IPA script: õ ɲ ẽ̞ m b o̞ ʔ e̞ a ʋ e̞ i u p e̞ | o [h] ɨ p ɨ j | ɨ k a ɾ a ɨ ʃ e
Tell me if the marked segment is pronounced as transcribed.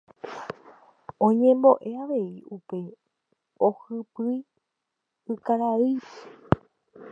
yes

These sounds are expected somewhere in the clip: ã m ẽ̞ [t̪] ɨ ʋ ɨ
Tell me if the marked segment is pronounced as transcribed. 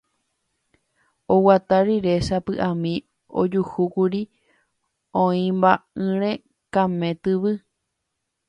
yes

